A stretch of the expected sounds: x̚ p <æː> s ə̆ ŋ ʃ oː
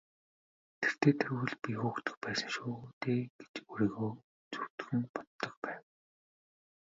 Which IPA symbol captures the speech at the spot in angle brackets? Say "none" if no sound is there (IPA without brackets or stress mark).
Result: æː